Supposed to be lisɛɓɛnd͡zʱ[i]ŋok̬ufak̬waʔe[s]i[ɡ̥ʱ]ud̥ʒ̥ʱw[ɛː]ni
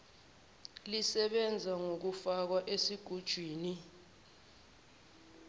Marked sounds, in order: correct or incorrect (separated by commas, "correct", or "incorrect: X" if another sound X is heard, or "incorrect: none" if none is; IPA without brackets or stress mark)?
incorrect: a, correct, correct, incorrect: iː